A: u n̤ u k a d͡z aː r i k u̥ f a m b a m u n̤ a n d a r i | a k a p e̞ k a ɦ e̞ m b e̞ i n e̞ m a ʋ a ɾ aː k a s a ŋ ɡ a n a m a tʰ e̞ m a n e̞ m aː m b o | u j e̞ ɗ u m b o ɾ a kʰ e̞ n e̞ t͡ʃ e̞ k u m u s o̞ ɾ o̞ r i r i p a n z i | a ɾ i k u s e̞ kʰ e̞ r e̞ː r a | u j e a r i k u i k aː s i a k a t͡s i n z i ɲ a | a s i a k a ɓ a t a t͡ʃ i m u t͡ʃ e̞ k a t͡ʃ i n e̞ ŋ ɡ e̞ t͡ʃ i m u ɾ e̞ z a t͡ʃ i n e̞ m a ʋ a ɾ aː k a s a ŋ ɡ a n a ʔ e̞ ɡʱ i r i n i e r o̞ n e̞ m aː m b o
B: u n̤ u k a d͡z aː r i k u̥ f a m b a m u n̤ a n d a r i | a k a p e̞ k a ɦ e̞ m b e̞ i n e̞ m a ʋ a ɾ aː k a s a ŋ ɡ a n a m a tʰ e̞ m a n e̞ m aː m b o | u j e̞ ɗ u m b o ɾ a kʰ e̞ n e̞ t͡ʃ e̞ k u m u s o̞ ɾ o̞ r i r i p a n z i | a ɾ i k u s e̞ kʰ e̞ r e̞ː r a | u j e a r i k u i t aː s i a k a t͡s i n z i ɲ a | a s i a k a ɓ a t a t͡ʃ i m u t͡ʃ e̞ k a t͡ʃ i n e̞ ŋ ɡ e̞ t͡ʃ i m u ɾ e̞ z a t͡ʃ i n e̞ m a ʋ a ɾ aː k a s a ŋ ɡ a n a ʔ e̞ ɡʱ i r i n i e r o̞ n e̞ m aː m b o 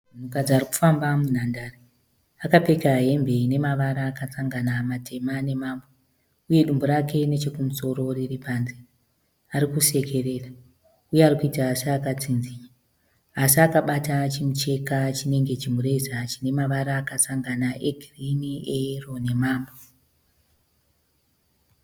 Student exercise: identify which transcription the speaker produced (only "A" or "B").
B